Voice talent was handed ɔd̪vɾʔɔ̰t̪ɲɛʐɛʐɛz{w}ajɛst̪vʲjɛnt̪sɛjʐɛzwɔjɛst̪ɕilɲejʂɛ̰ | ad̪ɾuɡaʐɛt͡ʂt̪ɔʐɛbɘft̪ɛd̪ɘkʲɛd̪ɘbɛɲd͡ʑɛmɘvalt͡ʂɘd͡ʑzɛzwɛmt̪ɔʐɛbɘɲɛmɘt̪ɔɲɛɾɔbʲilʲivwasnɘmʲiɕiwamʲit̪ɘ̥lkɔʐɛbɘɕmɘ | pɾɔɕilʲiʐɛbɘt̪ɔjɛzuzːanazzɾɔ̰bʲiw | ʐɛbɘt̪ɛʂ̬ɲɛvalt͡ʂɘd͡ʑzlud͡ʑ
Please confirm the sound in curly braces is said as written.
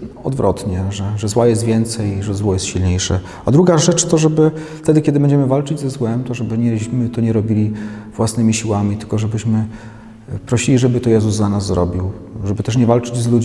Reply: yes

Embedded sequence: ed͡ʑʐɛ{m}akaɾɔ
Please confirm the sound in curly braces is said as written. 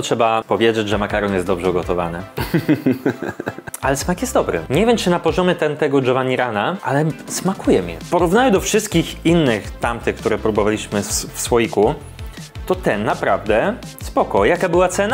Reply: yes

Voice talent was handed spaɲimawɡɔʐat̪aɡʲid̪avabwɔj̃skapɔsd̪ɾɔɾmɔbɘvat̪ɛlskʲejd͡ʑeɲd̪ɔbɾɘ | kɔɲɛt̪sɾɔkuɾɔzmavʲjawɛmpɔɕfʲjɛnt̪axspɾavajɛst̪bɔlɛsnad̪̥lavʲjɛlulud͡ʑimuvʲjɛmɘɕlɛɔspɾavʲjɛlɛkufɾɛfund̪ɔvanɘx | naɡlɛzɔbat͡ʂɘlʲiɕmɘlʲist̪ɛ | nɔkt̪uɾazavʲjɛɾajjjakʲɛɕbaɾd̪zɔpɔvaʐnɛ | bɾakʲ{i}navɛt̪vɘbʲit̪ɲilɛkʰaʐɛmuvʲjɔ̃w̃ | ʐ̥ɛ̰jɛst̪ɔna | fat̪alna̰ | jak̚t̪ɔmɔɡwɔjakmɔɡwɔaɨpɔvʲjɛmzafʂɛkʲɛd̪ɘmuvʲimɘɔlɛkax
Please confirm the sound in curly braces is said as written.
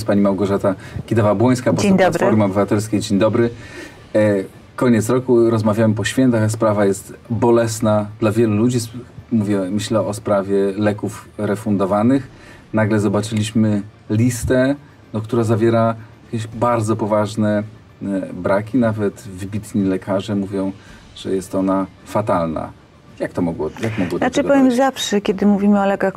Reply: yes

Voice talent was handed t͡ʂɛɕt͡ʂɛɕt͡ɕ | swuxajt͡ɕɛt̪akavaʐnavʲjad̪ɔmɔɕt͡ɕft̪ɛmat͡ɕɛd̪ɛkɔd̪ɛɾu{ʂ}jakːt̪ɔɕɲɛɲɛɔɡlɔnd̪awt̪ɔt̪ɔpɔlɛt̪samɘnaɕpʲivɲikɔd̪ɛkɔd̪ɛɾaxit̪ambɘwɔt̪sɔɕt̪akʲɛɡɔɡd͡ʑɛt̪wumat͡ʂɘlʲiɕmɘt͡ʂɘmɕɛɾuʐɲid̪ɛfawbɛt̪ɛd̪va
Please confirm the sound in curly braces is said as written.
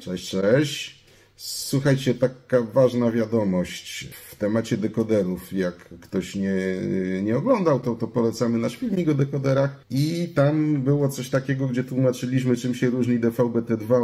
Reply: no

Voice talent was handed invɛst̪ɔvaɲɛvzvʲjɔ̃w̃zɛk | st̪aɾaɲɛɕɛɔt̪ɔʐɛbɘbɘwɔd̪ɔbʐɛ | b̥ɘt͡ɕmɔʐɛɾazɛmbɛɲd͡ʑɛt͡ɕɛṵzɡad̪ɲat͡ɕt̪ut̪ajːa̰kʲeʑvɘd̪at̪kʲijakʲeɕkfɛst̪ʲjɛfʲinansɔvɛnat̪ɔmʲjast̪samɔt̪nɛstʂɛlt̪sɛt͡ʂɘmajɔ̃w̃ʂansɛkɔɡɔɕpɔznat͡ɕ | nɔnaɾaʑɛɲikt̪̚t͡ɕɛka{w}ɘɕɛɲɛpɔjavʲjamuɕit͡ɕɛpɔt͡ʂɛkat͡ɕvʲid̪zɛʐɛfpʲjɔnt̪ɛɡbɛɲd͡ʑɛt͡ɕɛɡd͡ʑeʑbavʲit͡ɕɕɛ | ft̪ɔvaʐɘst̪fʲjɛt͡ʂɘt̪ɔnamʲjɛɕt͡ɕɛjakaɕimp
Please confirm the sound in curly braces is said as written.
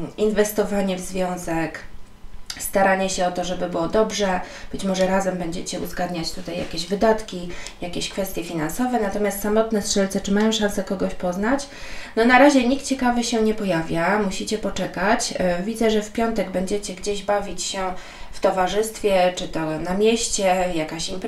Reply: no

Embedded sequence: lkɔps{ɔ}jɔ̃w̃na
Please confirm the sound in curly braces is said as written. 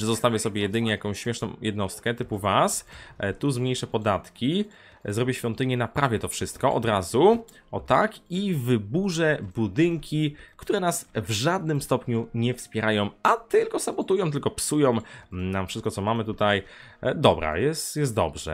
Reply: no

